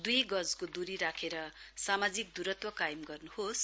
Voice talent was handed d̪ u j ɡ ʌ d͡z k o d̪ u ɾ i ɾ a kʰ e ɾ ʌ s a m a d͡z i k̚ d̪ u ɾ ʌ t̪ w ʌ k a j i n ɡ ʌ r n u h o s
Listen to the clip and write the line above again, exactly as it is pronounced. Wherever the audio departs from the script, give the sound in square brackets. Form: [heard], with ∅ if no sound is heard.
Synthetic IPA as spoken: d̪ u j ɡ ʌ d͡z k o d̪ u ɾ i ɾ a kʰ e ɾ ʌ s a m a d͡z i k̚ d̪ u ɾ ʌ t̪ w ʌ k a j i [m] ɡ ʌ r n u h o s